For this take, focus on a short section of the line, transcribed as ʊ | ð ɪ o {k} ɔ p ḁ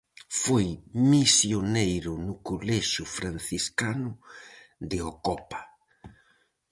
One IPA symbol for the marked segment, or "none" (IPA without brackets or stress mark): k